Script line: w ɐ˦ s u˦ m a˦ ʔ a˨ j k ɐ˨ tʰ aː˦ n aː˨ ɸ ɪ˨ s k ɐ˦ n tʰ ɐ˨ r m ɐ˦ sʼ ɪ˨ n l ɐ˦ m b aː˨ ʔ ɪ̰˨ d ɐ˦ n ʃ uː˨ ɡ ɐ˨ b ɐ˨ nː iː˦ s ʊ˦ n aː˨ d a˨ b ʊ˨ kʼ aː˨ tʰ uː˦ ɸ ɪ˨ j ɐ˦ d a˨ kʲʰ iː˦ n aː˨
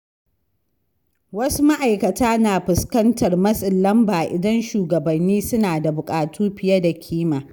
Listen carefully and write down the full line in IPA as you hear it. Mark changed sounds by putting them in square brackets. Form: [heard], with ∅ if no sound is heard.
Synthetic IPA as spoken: w ɐ˦ s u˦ m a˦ ʔ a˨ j k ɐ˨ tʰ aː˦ n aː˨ ɸ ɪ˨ s k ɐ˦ n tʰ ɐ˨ r m ɐ˦ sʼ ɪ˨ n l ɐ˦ m b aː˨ ʔ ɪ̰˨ d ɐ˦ n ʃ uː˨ ɡ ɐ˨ b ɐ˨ nː iː˦ s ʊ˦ n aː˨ d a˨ b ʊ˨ kʼ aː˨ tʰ uː˦ ɸ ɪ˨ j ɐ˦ d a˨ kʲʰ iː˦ [m] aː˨